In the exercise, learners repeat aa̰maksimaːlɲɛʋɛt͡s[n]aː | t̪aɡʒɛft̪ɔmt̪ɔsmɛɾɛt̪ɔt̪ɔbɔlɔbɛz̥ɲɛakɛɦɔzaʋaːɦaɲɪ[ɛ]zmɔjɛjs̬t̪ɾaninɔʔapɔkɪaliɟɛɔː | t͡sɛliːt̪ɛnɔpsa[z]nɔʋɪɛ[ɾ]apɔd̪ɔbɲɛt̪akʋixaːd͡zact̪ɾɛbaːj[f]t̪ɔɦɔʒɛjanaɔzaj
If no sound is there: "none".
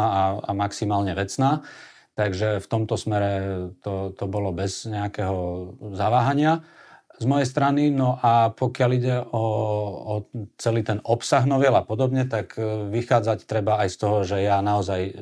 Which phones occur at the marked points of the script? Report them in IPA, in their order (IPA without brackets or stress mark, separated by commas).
n, a, ɣ, l, s